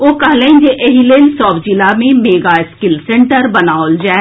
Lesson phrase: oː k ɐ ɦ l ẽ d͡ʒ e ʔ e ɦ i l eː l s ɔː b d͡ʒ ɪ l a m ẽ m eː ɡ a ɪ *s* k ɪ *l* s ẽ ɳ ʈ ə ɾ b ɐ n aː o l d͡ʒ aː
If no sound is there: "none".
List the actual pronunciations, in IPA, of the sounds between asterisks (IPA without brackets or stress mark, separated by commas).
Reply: s, l